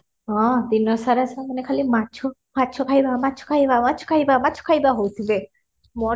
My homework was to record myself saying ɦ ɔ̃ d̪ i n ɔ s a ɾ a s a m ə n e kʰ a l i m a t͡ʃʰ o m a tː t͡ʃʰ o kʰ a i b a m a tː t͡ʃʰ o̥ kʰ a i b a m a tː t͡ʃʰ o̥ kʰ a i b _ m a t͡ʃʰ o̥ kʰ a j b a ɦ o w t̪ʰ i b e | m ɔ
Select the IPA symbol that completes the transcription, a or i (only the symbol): a